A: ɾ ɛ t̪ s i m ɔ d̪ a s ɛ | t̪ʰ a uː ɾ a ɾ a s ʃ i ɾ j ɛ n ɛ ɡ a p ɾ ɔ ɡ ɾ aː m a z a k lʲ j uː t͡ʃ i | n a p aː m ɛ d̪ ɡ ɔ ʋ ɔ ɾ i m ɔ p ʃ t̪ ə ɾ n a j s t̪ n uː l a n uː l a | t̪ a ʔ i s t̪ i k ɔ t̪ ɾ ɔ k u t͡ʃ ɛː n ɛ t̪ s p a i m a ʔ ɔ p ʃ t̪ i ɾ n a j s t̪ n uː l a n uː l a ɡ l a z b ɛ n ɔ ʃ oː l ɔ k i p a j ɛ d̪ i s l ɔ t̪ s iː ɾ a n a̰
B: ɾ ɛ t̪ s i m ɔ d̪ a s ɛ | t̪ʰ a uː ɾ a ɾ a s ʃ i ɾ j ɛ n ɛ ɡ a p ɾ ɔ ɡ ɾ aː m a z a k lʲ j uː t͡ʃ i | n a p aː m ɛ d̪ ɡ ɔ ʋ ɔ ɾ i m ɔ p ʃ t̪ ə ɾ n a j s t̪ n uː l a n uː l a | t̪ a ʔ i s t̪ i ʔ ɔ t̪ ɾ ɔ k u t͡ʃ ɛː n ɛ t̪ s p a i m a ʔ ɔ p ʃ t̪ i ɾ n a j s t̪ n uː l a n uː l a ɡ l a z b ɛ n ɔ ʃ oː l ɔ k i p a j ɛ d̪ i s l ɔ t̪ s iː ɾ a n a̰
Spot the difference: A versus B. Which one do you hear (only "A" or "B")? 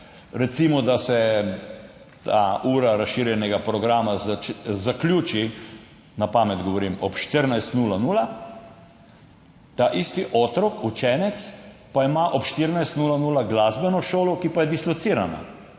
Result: B